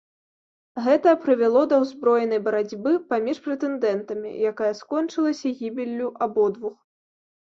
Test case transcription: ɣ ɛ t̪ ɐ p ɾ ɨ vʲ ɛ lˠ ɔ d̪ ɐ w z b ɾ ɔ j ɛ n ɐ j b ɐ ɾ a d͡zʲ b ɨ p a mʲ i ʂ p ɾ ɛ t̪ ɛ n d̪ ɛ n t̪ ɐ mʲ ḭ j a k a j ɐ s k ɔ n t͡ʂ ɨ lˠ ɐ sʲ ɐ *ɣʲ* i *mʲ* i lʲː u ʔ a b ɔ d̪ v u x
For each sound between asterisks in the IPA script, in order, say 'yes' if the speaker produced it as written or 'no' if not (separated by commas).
yes, no